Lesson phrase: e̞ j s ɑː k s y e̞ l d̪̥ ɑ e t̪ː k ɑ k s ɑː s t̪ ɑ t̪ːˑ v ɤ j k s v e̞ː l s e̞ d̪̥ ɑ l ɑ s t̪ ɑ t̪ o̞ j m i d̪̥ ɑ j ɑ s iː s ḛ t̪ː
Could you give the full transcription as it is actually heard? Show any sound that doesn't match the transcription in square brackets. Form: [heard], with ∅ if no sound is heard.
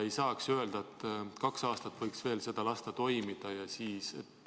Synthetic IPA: e̞ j s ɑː k s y e̞ l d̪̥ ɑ e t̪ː k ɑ k s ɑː s t̪ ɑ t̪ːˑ v ɤ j k s v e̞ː l s e̞ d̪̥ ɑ l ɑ s t̪ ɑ t̪ o̞ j m i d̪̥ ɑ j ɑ s iː s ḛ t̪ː

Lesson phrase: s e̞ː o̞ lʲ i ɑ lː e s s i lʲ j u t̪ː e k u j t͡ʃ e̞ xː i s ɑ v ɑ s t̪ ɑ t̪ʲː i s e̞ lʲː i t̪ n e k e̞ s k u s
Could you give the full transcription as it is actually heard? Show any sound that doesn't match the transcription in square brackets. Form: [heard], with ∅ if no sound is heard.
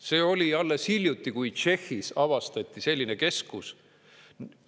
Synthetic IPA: s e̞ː o̞ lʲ i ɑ lː e s [h] i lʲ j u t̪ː [i] k u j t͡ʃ e̞ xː i s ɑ v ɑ s t̪ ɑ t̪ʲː i s e̞ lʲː i [∅] n e k e̞ s k u s

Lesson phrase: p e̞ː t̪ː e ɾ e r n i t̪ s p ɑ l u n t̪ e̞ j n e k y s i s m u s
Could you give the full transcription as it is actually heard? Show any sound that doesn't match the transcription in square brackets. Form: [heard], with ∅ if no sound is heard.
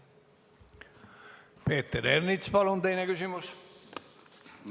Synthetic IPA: p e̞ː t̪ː e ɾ e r n i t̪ s p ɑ l u n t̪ e̞ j n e k y s i [∅] m u s

